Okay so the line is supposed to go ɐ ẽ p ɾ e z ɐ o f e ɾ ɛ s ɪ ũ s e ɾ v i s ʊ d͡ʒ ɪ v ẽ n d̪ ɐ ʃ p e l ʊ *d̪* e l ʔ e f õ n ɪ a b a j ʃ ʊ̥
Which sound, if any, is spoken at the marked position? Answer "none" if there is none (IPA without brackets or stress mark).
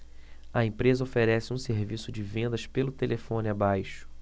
t̪